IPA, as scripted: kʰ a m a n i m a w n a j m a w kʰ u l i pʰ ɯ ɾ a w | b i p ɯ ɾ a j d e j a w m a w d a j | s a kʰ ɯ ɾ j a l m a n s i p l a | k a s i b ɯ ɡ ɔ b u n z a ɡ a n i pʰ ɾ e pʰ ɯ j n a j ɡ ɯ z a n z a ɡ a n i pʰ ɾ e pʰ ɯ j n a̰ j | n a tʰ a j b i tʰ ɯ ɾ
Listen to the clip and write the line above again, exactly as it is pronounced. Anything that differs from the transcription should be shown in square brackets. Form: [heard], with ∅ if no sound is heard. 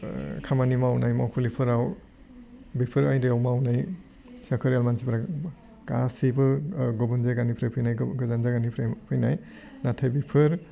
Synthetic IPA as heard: kʰ a m a n i m a w n a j m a w kʰ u l i pʰ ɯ ɾ a w | b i [pʰ] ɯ ɾ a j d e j a w m a w [n] a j | s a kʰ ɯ ɾ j a l m a n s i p [ɾ] a | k a s i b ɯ ɡ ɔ b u n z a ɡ a n i pʰ ɾ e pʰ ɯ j n a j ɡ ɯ z a n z a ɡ a n i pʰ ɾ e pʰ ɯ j n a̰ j | n a tʰ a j b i [pʰ] ɯ ɾ